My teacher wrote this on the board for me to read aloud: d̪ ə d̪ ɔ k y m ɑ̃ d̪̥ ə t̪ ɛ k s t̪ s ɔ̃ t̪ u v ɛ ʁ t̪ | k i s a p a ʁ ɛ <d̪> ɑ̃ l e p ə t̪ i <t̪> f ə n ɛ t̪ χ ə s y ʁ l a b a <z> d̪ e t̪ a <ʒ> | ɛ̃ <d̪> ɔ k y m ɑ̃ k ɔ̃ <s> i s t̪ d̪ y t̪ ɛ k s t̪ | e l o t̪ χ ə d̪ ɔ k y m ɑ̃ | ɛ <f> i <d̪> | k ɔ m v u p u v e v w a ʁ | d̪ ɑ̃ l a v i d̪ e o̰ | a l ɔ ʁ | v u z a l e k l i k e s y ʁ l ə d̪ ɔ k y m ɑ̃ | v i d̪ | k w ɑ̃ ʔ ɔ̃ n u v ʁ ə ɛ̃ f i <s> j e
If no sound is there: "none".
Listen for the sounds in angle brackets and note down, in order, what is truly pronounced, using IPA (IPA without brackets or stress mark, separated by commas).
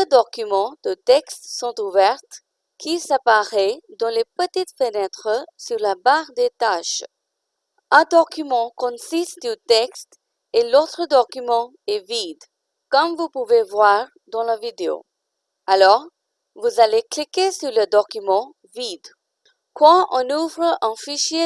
d̪, t̪, ʁ, ʃ, d̪, s, v, d̪, ʃ